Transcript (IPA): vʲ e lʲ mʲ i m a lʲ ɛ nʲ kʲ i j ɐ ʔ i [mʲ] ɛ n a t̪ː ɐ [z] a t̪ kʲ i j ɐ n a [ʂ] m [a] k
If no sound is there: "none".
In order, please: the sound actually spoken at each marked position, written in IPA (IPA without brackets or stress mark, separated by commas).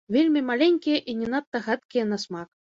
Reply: nʲ, ɣ, s, a